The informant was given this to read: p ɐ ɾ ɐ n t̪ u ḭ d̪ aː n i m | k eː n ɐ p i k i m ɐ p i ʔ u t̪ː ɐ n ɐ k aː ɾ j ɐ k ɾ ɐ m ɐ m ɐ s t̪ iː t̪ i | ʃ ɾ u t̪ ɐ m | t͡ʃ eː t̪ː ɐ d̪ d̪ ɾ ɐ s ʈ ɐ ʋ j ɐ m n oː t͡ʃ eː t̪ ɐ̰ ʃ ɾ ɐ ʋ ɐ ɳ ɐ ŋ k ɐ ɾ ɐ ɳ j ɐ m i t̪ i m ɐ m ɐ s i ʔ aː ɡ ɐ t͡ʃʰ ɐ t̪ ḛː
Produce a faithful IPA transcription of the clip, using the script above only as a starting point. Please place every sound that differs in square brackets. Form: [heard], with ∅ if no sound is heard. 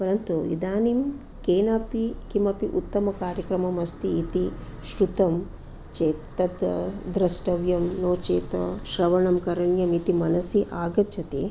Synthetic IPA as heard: p ɐ ɾ ɐ n t̪ u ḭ d̪ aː n i m | k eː n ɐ p i k i m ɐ p i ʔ u t̪ː ɐ [m] ɐ k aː ɾ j ɐ k ɾ ɐ m ɐ m ɐ s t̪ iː t̪ i | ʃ ɾ u t̪ ɐ m | t͡ʃ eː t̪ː ɐ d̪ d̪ ɾ ɐ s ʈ ɐ ʋ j ɐ m n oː t͡ʃ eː t̪ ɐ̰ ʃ ɾ ɐ ʋ ɐ ɳ ɐ [m] k ɐ ɾ ɐ ɳ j ɐ m i t̪ i m ɐ [n] ɐ s i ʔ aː ɡ ɐ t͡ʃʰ ɐ t̪ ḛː